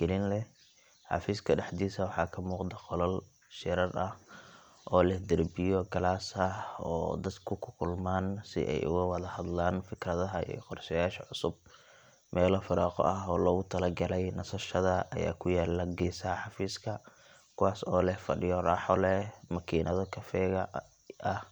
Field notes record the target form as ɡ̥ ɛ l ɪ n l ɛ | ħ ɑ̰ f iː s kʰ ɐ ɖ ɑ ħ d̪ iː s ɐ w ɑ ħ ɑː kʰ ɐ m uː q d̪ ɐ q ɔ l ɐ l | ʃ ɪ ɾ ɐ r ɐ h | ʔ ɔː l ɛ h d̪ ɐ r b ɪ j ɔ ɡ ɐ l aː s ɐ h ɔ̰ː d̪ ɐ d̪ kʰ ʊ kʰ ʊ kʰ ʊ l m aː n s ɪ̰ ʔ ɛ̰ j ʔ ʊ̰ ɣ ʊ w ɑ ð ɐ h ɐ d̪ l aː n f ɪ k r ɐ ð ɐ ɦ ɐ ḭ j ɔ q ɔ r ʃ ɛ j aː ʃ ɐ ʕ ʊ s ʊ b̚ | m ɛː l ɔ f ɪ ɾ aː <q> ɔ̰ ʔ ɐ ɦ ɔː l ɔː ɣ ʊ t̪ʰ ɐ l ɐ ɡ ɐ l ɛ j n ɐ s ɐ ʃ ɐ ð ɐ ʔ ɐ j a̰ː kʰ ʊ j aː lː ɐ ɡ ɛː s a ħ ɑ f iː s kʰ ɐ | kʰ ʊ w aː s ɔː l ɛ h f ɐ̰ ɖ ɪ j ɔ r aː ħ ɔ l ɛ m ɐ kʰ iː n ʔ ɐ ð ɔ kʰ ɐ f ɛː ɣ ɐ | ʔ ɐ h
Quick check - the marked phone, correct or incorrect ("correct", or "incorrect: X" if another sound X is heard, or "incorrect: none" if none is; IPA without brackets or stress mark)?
correct